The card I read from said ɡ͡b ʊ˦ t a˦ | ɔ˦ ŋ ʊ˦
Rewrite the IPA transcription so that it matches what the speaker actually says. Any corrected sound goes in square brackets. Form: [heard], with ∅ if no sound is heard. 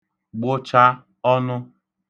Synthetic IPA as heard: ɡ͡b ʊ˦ [t͡ʃ] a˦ | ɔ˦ [n] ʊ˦